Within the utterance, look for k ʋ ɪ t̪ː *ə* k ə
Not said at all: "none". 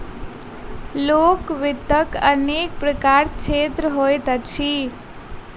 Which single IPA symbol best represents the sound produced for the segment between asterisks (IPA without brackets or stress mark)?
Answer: ə